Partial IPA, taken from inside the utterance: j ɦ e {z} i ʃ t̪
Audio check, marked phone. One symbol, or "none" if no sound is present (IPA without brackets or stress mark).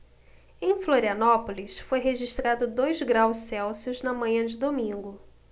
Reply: ʒ